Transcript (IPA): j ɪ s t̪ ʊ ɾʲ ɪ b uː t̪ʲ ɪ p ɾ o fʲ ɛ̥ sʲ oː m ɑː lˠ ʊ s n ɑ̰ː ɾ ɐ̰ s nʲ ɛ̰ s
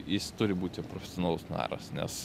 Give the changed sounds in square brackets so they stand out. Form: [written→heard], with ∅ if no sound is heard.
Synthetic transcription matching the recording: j ɪ s t̪ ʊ ɾʲ ɪ b uː t̪ʲ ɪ p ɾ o fʲ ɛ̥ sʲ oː [m→n] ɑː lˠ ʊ s n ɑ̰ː ɾ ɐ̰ s nʲ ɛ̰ s